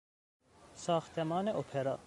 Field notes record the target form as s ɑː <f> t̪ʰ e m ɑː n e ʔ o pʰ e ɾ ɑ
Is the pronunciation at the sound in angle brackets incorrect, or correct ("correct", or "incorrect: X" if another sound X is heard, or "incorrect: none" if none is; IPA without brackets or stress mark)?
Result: incorrect: x